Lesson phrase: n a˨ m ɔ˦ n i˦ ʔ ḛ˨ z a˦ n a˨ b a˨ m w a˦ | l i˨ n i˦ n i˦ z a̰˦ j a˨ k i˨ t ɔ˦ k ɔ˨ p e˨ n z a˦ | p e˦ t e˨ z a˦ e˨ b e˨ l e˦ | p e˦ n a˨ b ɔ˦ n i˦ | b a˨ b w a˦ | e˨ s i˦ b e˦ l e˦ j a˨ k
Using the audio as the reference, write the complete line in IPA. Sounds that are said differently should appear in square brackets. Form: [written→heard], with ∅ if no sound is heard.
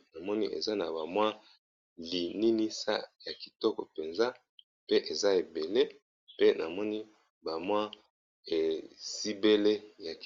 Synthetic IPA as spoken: n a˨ m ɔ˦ n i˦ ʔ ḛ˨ z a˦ n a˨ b a˨ m w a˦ | l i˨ n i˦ n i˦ [z→s] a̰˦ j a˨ k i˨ t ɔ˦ k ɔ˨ p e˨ n z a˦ | p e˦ [t→ʔ] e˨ z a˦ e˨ b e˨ l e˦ | p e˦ n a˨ [b→m] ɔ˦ n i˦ | b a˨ [b→m] w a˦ | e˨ s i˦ b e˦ l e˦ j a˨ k

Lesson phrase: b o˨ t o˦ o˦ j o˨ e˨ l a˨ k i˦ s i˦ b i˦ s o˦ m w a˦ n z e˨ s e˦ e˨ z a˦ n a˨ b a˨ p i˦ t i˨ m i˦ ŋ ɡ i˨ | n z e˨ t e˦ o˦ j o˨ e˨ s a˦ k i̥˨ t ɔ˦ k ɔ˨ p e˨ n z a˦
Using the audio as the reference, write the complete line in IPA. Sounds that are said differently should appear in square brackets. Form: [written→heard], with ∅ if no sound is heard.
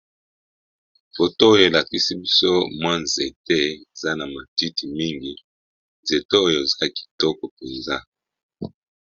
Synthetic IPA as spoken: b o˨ t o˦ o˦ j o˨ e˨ l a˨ k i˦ s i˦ b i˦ s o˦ m w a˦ n z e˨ [s→t] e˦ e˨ z a˦ n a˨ [b→m] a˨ [p→t] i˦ t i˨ m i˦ ŋ ɡ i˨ | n z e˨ t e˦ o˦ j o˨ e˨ [s→z] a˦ k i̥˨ t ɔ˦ k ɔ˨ p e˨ n z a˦

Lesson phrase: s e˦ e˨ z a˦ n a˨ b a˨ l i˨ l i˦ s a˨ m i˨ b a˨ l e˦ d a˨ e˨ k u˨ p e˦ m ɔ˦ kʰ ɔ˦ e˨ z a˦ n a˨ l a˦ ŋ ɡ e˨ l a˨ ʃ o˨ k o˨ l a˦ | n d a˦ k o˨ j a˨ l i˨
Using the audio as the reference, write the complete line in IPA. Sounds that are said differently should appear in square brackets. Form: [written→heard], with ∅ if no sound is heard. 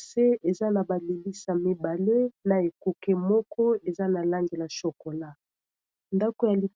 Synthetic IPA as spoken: s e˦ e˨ z a˦ n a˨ b a˨ l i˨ l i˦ s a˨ m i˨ b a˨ l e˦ [d→n] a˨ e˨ k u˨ [p→k] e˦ m ɔ˦ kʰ ɔ˦ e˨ z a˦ n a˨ l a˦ ŋ ɡ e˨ l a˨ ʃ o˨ k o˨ l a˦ | n d a˦ k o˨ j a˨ l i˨

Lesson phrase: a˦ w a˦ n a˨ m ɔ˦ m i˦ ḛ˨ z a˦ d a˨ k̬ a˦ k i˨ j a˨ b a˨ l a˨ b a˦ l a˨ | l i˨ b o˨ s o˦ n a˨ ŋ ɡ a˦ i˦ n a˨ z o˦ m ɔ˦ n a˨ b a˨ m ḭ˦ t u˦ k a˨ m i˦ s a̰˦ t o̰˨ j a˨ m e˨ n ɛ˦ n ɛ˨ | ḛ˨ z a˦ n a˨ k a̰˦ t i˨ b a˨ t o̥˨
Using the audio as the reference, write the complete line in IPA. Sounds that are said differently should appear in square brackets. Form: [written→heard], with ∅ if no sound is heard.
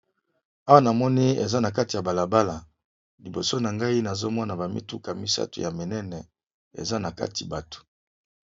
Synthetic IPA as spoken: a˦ w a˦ n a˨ m ɔ˦ [m→n] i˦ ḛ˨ z a˦ [d→n] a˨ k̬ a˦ [k→t] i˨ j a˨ b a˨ l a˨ b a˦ l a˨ | l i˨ b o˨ s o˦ n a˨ ŋ ɡ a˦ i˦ n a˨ z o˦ m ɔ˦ n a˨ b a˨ m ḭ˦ t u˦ k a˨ m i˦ s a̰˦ t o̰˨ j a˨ m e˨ n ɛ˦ n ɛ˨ | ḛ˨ z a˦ n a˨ k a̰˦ t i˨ b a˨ t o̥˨

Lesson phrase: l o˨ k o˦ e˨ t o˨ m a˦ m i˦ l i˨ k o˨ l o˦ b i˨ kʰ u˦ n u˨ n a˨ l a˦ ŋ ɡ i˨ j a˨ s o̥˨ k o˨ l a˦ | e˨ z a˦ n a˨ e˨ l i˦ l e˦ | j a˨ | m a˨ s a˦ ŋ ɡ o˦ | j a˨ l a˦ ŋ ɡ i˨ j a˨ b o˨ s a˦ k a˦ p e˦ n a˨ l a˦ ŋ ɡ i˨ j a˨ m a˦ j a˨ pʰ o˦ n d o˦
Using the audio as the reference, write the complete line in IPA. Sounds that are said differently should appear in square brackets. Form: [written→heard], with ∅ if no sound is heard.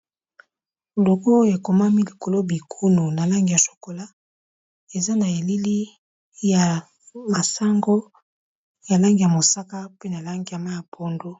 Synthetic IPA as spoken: l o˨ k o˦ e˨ [t→k] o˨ m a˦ m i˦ l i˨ k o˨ l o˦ b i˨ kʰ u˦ n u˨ n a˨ l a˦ ŋ ɡ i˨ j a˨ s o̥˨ k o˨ l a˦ | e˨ z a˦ n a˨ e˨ l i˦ l [e˦→i˦] | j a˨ | m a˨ s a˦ ŋ ɡ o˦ | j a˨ l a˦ ŋ ɡ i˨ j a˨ [b→m] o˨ s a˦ k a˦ p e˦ n a˨ l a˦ ŋ ɡ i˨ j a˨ m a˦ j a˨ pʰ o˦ n d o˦

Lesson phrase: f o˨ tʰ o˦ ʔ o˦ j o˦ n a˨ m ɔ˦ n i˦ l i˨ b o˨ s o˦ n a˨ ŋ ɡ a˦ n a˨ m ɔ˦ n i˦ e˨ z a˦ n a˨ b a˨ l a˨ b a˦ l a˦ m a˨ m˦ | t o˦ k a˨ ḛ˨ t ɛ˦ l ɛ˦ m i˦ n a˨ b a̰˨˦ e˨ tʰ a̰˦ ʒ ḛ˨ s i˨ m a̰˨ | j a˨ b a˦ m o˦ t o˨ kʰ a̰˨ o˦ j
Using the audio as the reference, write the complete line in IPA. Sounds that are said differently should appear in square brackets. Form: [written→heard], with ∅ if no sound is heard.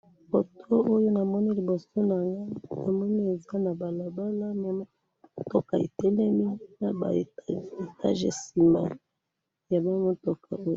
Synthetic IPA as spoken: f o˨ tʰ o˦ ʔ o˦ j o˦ n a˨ m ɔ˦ n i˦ l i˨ b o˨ s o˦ n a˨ ŋ ɡ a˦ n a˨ m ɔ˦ n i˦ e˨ z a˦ n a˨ b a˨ l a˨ b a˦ l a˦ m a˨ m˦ | t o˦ k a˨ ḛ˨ t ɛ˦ l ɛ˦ m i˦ n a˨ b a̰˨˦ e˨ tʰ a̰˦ ʒ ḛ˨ s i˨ m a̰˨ | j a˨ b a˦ m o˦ t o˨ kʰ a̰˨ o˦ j

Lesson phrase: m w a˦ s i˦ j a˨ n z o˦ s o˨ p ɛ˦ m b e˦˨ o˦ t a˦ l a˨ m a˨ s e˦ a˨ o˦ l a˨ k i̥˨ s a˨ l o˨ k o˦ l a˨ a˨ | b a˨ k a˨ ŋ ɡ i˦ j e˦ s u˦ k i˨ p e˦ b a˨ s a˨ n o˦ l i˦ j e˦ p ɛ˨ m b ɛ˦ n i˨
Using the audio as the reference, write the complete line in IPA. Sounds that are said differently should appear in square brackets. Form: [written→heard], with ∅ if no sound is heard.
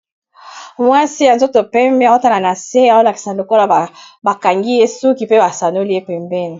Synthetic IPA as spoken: m w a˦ s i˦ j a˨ n z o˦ [s→t] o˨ p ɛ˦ m b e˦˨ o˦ t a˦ l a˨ [m→n] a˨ s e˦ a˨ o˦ l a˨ k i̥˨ s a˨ l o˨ k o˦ l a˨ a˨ | b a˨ k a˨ ŋ ɡ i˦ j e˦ s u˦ k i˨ p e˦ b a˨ s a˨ n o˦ l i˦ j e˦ p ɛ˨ m b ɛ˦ n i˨

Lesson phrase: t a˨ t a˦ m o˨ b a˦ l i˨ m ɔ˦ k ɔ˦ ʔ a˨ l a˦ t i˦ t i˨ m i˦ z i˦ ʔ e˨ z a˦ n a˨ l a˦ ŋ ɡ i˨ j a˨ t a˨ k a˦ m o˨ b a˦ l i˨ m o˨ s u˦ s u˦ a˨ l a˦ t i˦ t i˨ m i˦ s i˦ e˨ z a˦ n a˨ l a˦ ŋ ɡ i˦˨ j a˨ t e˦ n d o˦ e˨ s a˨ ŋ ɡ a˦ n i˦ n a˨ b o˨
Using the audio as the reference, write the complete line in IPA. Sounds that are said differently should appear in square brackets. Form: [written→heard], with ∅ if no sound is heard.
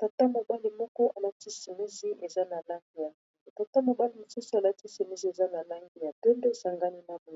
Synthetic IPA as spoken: t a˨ t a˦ m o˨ b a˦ l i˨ m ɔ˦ k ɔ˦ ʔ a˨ l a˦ t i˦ [t→s] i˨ m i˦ z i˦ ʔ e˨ z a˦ n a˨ l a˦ ŋ ɡ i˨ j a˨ t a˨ [k→t] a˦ m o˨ b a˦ l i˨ m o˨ s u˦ s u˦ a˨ l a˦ t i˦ [t→s] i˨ m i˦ [s→z] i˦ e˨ z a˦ n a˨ l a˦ ŋ ɡ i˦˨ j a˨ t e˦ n d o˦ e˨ s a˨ ŋ ɡ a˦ n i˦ n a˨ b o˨

